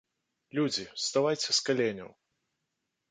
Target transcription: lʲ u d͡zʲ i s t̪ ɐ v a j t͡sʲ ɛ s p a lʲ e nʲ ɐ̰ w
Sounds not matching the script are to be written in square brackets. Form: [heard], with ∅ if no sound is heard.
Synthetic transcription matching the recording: lʲ u d͡zʲ i s t̪ [a] v a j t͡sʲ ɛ s [k] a lʲ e nʲ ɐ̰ w